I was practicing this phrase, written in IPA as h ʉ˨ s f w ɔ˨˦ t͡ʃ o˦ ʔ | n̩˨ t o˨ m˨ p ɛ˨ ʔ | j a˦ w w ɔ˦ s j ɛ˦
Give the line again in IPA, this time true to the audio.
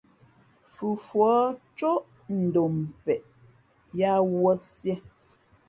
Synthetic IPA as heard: f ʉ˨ f w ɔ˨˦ t͡ʃ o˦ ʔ | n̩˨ d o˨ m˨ p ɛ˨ ʔ | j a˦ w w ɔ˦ s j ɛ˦